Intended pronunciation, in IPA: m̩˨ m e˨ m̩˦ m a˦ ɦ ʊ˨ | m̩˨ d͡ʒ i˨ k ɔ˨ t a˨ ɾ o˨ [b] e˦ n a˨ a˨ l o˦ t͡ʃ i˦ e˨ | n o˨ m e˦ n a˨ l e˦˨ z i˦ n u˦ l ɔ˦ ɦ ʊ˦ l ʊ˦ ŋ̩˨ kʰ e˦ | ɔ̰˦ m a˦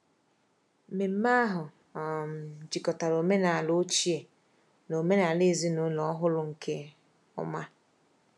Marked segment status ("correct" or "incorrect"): incorrect